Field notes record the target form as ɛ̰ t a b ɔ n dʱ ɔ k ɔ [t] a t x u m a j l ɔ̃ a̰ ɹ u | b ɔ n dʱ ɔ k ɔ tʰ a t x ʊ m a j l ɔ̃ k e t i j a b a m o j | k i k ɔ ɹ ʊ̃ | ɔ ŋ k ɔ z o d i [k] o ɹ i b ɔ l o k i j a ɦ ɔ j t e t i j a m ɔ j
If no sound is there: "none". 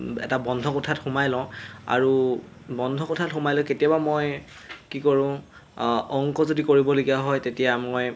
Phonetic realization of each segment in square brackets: tʰ, k

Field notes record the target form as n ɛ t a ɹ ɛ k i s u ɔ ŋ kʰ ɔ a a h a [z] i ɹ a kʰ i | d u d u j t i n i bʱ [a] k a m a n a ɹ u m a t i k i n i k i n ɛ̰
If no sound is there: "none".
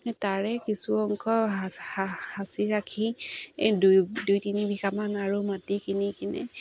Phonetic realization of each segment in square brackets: s, i

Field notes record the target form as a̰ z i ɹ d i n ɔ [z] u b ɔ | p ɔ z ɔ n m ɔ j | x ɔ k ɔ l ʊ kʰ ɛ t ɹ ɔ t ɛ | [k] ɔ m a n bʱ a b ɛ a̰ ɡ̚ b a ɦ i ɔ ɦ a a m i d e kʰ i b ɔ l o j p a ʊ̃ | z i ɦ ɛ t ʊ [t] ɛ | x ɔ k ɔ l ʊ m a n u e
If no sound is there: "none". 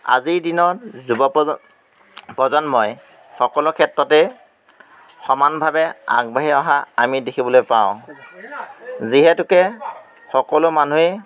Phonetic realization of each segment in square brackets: z, x, k

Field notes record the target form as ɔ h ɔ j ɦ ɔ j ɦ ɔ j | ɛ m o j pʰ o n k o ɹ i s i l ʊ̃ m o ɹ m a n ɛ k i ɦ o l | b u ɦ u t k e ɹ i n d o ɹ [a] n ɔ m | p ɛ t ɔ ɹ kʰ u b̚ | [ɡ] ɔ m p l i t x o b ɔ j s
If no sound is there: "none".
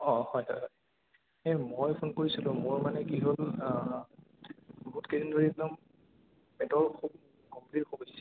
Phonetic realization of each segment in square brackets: i, k

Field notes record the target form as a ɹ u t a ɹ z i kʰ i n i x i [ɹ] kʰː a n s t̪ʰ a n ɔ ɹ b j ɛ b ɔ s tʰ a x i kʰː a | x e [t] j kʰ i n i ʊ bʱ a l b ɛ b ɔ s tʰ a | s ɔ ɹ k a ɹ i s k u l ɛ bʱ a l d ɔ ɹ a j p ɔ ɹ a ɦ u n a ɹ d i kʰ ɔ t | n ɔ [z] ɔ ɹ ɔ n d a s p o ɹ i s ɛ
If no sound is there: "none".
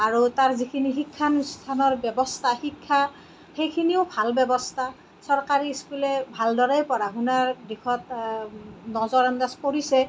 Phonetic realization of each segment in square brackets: none, none, z

